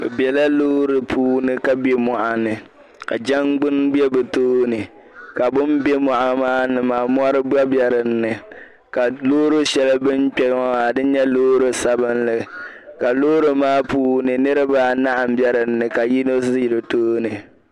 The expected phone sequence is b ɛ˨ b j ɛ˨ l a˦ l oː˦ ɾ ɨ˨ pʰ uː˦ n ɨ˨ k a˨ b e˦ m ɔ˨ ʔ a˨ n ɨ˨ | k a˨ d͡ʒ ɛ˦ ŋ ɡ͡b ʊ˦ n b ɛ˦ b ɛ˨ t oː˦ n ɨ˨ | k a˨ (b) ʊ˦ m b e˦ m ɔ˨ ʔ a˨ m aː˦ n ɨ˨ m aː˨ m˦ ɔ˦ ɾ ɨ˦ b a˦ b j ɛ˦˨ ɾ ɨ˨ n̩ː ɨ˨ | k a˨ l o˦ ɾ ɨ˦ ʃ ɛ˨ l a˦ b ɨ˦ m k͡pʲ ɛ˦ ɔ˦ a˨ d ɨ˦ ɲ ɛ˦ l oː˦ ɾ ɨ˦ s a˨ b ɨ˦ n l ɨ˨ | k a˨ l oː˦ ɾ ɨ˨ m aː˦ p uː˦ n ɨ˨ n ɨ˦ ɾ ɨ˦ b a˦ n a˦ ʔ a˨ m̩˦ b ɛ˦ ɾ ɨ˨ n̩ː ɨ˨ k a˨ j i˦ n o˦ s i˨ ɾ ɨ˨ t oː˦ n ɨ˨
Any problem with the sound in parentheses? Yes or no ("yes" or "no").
no